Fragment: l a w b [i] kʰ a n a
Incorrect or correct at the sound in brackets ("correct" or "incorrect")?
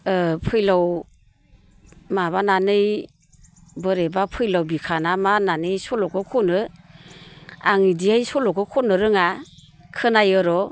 correct